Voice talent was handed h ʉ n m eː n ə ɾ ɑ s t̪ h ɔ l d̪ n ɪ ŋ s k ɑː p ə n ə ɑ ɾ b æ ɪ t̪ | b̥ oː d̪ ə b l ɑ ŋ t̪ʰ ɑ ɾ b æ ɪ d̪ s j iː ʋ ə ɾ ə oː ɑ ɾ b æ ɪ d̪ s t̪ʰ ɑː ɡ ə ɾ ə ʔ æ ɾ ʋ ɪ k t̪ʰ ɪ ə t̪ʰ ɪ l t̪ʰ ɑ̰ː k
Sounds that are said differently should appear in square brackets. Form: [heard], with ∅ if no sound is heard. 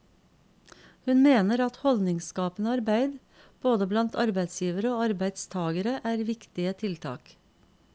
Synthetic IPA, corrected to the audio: h ʉ n m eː n ə ɾ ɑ [∅] t̪ h ɔ l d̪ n ɪ ŋ s k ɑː p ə n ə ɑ ɾ b æ ɪ [d̪] | b̥ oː d̪ ə b l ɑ [n] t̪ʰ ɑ ɾ b æ ɪ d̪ s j iː ʋ ə ɾ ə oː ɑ ɾ b æ ɪ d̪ s t̪ʰ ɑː ɡ ə ɾ ə ʔ [æː] ɾ ʋ ɪ k [t̪] ɪ ə t̪ʰ ɪ l t̪ʰ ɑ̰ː k

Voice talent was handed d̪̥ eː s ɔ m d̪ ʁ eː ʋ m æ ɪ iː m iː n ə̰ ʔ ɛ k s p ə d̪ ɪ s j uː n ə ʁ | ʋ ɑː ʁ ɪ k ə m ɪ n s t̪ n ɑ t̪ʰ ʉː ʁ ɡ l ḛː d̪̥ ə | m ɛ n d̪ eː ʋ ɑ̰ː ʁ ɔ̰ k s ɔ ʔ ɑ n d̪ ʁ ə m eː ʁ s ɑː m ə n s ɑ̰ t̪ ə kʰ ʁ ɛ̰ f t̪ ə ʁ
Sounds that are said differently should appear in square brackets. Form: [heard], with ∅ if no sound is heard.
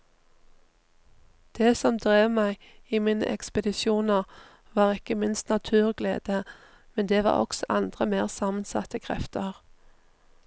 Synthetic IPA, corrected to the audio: d̪̥ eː s ɔ m d̪ ʁ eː ʋ m æ ɪ iː m iː n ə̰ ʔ ɛ k s p ə d̪ ɪ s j uː n ə ʁ | ʋ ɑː ʁ ɪ k ə m ɪ n s t̪ n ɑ t̪ʰ ʉː ʁ ɡ l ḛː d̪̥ ə | m ɛ n d̪ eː ʋ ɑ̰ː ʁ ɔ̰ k s ɔ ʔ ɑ n d̪ ʁ ə m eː ʁ s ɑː m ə n s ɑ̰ t̪ ə kʰ ʁ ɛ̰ f t̪ ə ʁ

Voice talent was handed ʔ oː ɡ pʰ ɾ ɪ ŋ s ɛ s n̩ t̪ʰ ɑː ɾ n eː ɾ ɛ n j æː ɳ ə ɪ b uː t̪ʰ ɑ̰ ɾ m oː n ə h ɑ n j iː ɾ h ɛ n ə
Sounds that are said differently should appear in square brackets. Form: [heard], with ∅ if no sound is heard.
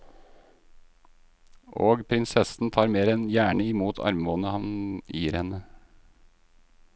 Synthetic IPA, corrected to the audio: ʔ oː ɡ pʰ ɾ ɪ [n] s ɛ s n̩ t̪ʰ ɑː ɾ [m] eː ɾ ɛ n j æː ɳ ə ɪ [m] uː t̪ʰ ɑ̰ ɾ m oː n ə h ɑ n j iː ɾ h ɛ n ə

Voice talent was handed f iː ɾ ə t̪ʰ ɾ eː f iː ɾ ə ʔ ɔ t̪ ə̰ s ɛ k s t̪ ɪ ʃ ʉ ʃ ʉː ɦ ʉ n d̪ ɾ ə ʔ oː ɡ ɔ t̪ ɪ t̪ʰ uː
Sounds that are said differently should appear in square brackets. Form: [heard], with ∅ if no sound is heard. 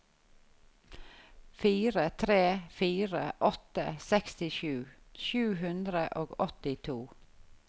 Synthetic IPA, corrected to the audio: f iː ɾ ə t̪ʰ ɾ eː f iː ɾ ə ʔ ɔ t̪ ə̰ s ɛ k s t̪ ɪ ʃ [ʉː] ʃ ʉː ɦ ʉ n d̪ ɾ ə ʔ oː ɡ ɔ t̪ ɪ t̪ʰ uː

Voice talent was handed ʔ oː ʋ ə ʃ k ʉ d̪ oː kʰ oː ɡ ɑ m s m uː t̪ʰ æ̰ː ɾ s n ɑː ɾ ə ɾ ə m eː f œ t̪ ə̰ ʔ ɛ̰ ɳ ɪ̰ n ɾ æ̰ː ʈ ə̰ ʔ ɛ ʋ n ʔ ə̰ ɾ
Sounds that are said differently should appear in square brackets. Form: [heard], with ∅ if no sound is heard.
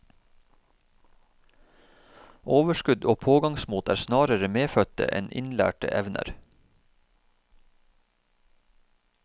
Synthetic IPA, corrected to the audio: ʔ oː ʋ ə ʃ k ʉ d̪ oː [pʰ] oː ɡ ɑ [ŋ] s m uː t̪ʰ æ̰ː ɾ s n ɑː ɾ ə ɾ ə m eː f œ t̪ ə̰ ʔ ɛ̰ [n] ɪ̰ n [l] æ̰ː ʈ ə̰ ʔ ɛ ʋ n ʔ ə̰ ɾ

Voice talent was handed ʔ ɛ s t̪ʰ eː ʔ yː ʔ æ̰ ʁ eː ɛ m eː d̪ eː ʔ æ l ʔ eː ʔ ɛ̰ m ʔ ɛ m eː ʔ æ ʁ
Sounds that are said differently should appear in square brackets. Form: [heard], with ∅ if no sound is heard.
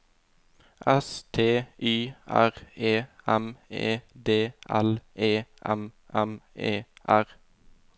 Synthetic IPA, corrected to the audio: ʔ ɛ s t̪ʰ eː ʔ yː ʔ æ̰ ʁ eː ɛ m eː d̪ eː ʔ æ l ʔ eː ʔ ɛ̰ m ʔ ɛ m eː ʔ æ ʁ

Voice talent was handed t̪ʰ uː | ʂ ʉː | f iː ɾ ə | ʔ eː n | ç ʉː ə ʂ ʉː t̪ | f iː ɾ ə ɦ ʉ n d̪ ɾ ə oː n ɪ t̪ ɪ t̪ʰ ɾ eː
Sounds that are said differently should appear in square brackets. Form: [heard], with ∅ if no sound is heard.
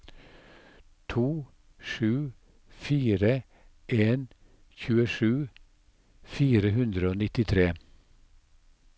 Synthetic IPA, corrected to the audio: t̪ʰ uː | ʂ ʉː | f iː ɾ ə | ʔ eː n | ç ʉː ə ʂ ʉː [∅] | f iː ɾ ə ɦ ʉ n d̪ ɾ ə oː n ɪ t̪ ɪ t̪ʰ ɾ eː

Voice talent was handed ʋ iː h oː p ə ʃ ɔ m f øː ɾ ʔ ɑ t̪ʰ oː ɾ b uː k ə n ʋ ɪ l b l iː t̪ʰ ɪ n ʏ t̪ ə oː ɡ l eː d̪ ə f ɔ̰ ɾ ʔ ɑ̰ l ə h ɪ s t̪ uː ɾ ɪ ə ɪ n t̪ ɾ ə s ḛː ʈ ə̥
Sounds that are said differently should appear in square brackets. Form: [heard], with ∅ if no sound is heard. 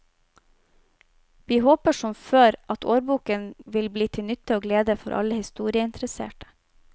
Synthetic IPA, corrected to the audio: ʋ iː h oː p ə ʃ ɔ m f øː ɾ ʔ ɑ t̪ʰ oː ɾ b uː k ə n ʋ ɪ l b l iː t̪ʰ ɪ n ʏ t̪ ə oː ɡ l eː d̪ ə f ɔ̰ ɾ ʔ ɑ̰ l ə h ɪ s t̪ uː ɾ ɪ ə ɪ n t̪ ɾ ə s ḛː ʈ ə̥

